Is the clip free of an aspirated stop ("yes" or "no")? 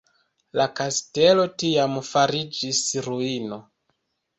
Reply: yes